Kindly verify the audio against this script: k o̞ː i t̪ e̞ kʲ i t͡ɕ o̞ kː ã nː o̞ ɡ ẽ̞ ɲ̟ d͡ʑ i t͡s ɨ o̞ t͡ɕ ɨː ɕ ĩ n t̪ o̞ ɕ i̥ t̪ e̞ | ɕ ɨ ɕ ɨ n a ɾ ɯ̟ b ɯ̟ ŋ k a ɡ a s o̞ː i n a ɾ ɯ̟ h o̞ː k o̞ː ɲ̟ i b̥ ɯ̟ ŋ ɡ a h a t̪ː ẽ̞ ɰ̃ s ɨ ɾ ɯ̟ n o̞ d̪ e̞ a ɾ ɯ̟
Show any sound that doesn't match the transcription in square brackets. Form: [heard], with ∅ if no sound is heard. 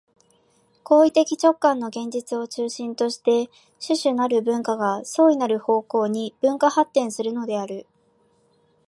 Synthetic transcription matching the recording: k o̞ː i t̪ e̞ kʲ i t͡ɕ o̞ kː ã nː o̞ ɡ ẽ̞ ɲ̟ d͡ʑ i t͡s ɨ o̞ t͡ɕ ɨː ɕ ĩ n t̪ o̞ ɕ i̥ t̪ e̞ | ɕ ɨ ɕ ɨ n a ɾ ɯ̟ b [ɯ̟̃] ŋ k a ɡ a s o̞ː i n a ɾ ɯ̟ h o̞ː k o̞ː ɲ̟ i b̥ [ɯ̟̃] ŋ [k] a h a t̪ː ẽ̞ ɰ̃ s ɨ ɾ ɯ̟ n o̞ d̪ e̞ a ɾ ɯ̟

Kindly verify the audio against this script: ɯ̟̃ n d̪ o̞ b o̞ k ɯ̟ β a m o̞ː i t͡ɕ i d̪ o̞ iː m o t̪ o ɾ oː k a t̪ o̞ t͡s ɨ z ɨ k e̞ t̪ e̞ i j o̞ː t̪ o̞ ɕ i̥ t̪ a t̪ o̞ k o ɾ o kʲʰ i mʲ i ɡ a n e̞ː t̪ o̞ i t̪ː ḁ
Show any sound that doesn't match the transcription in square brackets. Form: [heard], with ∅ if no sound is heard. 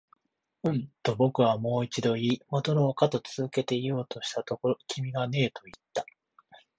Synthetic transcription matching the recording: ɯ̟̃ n [t̪] o̞ b o̞ k ɯ̟ β a m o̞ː i t͡ɕ i d̪ o̞ iː m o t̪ o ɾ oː k a t̪ o̞ t͡s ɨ z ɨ k e̞ t̪ e̞ i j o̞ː t̪ o̞ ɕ i̥ t̪ a t̪ o̞ k o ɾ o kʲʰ i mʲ i ɡ a n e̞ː t̪ o̞ i t̪ː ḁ

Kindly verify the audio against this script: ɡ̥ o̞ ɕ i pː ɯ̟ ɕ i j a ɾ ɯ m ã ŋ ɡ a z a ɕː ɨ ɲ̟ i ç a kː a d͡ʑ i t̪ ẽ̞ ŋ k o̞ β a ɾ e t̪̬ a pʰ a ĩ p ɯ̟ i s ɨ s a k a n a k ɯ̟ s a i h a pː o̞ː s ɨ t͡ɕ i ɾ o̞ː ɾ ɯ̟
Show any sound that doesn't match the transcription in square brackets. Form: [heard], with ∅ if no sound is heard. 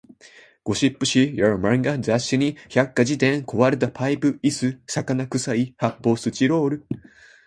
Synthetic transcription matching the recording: ɡ̥ o̞ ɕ i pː ɯ̟ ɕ i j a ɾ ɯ m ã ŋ ɡ a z a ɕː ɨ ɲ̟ i ç a kː a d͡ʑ i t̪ ẽ̞ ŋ k o̞ β a ɾ e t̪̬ a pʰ a [i] p ɯ̟ i s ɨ s a k a n a k ɯ̟ s a i h a pː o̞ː s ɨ t͡ɕ i ɾ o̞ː ɾ ɯ̟

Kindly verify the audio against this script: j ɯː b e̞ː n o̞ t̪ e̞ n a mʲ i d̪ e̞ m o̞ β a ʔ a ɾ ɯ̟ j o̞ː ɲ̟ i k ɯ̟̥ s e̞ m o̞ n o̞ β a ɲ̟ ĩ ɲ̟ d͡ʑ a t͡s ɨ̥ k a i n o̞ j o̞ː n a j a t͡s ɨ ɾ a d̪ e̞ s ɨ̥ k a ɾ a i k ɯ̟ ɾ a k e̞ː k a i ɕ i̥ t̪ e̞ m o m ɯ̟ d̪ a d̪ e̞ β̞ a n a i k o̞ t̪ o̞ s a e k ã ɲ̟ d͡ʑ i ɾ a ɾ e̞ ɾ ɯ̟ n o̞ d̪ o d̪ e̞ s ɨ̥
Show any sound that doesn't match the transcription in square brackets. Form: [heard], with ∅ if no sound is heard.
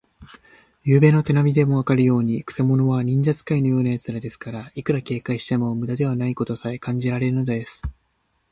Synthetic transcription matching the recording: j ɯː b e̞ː n o̞ t̪ e̞ n a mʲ i d̪ e̞ m o̞ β a [k] a ɾ ɯ̟ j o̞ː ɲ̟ i k ɯ̟̥ s e̞ m o̞ n o̞ β a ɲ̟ ĩ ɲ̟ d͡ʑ a t͡s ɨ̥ k a i n o̞ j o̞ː n a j a t͡s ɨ ɾ a d̪ e̞ s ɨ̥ k a ɾ a i k ɯ̟ ɾ a k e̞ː k a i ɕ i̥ t̪ e̞ m o m ɯ̟ d̪ a d̪ e̞ β̞ a n a i k o̞ t̪ o̞ s a e k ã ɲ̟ d͡ʑ i ɾ a ɾ e̞ ɾ ɯ̟ n o̞ d̪ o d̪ e̞ s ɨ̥

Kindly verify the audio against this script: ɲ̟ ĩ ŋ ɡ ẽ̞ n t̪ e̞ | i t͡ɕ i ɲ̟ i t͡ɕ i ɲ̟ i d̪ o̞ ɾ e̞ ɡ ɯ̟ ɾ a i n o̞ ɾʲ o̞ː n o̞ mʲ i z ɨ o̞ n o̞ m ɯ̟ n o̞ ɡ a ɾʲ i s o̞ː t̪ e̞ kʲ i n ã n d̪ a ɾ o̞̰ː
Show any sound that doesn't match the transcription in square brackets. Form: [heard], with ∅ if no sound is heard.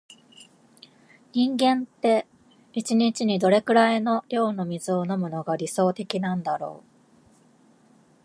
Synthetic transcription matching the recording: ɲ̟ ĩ ŋ ɡ ẽ̞ n t̪ e̞ | i t͡ɕ i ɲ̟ i t͡ɕ i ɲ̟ i d̪ o̞ ɾ e̞ [k] ɯ̟ ɾ a i n o̞ ɾʲ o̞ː n o̞ mʲ i z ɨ o̞ n o̞ m ɯ̟ n o̞ ɡ a ɾʲ i s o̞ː t̪ e̞ kʲ i n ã n d̪ a ɾ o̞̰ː

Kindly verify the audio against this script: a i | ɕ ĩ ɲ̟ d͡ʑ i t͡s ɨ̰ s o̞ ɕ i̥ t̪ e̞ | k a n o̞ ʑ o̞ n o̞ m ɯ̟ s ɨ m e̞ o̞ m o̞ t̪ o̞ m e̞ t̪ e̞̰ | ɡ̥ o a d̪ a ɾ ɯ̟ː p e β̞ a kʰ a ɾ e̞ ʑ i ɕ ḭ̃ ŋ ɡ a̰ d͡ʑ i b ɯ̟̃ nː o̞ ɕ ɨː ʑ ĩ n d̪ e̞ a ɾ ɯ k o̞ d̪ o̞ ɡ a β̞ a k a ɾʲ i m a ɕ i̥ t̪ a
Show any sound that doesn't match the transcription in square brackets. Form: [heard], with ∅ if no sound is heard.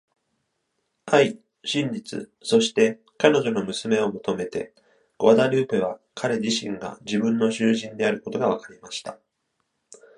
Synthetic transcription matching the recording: a i | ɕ ĩ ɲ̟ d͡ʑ i t͡s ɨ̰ s o̞ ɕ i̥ t̪ e̞ | k a n o̞ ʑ o̞ n o̞ m ɯ̟ s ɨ m e̞ o̞ m o̞ t̪ o̞ m e̞ t̪ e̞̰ | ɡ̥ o a d̪ a ɾ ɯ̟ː p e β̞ a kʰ a ɾ e̞ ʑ i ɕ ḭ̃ ŋ ɡ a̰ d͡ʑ i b ɯ̟̃ nː o̞ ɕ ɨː ʑ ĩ n d̪ e̞ a ɾ ɯ k o̞ [t̪] o̞ ɡ a β̞ a k a ɾʲ i m a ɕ i̥ t̪ a

